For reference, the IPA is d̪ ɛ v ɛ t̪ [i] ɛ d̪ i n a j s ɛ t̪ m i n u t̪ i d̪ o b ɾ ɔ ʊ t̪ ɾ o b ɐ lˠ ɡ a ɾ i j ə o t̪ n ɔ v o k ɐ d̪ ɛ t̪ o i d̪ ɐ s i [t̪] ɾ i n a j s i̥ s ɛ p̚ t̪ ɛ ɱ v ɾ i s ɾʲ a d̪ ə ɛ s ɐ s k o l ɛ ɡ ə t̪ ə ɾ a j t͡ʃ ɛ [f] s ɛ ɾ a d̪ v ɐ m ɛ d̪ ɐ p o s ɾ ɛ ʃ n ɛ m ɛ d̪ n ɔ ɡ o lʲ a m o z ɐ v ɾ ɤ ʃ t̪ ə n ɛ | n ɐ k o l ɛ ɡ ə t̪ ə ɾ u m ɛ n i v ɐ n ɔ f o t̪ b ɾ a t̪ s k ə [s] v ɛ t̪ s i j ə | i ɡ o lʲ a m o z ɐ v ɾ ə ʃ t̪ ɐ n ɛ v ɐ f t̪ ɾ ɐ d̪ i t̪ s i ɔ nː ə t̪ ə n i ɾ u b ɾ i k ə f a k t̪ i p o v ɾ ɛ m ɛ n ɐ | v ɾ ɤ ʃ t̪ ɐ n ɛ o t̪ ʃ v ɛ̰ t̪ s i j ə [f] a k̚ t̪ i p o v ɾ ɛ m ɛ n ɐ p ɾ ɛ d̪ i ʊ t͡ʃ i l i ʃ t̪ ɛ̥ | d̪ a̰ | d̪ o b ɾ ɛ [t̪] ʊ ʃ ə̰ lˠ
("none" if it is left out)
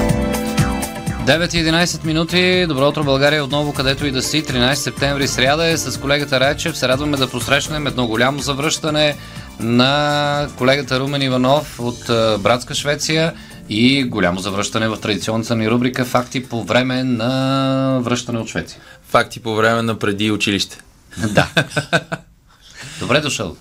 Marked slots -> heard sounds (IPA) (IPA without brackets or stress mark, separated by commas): i, t̪, f, ʃ, f, d̪